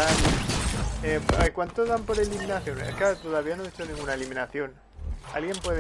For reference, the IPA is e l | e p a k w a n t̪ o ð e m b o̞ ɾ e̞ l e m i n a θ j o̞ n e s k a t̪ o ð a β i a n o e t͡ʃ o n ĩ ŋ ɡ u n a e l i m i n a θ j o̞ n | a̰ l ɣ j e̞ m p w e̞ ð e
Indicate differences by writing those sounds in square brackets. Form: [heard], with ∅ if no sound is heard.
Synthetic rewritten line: [a] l | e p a k w a n t̪ o ð [a] m [p] o̞ ɾ e̞ l [i] m i n a θ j o̞ n e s k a t̪ o ð a β i a n o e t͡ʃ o n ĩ ŋ ɡ u n a e l i m i n a θ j o̞ n | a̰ l ɣ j e̞ m p w e̞ ð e

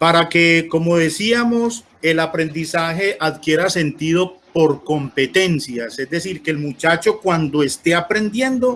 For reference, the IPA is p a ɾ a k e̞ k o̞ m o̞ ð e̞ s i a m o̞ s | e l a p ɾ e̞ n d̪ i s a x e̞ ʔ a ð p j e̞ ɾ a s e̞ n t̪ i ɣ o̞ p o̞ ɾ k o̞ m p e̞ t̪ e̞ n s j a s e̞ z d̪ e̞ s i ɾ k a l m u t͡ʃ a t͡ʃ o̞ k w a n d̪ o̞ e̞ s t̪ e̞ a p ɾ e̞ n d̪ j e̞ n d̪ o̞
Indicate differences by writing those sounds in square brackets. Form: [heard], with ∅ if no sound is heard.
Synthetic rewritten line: p a ɾ a k e̞ k o̞ m o̞ ð e̞ s i a m o̞ s | e l a p ɾ e̞ n d̪ i s a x e̞ ʔ a ð [k] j e̞ ɾ a s e̞ n t̪ i [ð] o̞ p o̞ ɾ k o̞ m p e̞ t̪ e̞ n s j a s e̞ z d̪ e̞ s i ɾ k [e] l m u t͡ʃ a t͡ʃ o̞ k w a n d̪ o̞ e̞ s t̪ e̞ a p ɾ e̞ n d̪ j e̞ n d̪ o̞

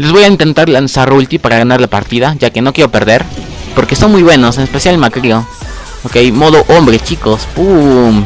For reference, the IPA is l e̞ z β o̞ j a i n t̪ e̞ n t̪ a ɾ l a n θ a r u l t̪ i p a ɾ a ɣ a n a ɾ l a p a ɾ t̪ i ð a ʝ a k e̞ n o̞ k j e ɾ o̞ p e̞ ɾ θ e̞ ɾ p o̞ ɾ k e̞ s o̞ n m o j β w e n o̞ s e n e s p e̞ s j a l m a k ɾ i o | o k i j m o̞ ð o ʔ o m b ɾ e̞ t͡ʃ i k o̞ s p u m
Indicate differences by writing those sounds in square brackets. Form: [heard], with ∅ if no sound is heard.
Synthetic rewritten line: l e̞ z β o̞ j a i n t̪ e̞ n t̪ a ɾ l a n [s] a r u l t̪ i p a ɾ a ɣ a n a ɾ l a p a ɾ t̪ i ð a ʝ a k e̞ n o̞ k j e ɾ o̞ p e̞ ɾ [ð] e̞ ɾ p o̞ ɾ k e̞ s o̞ n m [u] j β w e n o̞ s e n e s p e̞ s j a l m a k ɾ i o | o k [e] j m o̞ ð o ʔ o m b ɾ e̞ t͡ʃ i k o̞ s p u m

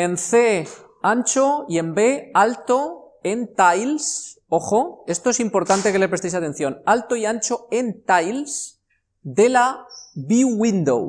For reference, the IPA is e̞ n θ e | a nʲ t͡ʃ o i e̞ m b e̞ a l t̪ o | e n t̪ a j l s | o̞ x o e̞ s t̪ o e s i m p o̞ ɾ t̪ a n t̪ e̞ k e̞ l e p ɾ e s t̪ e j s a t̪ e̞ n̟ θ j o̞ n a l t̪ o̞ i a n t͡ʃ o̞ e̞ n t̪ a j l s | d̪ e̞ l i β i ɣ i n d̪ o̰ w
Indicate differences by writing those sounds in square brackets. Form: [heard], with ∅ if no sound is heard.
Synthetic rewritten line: e̞ n θ e | a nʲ t͡ʃ o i e̞ m b e̞ a l t̪ o | e n t̪ a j l s | o̞ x o e̞ s t̪ o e s i m p o̞ ɾ t̪ a n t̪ e̞ k e̞ l e p ɾ e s t̪ e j s a t̪ e̞ n̟ θ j o̞ n a l t̪ o̞ i a n t͡ʃ o̞ e̞ n t̪ a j l s | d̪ e̞ l [a] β i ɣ i n d̪ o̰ w

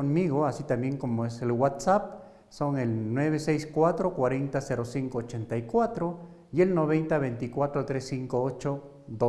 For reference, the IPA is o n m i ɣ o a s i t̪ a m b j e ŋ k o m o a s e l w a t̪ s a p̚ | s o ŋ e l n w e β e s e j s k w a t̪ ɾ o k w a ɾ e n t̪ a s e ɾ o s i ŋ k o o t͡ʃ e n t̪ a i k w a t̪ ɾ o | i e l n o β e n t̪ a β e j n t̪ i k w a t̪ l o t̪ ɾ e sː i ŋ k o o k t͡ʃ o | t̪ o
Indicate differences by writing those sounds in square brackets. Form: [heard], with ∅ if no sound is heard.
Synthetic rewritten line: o n m i ɣ o a s i t̪ a m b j e ŋ k o m o [e] s e l w a t̪ s a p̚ | s o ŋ e l n w e β e s e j s k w a t̪ ɾ o k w a ɾ e n t̪ a s e ɾ o s i ŋ k o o t͡ʃ e n t̪ a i k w a t̪ ɾ o | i e l n o β e n t̪ a β e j n t̪ i k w a t̪ [ɾ] o t̪ ɾ e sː i ŋ k o o [∅] t͡ʃ o | [d̪] o

